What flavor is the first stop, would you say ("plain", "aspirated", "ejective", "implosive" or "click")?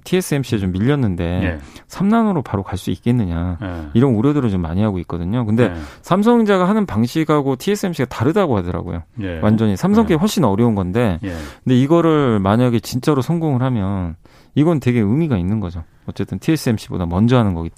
aspirated